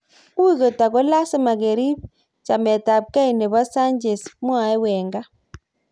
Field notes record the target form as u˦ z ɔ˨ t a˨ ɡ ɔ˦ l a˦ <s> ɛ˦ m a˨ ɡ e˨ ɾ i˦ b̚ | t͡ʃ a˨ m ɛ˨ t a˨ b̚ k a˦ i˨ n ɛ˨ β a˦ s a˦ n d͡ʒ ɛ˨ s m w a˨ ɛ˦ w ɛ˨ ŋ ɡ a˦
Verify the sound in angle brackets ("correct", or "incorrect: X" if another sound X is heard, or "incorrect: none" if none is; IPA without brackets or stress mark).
correct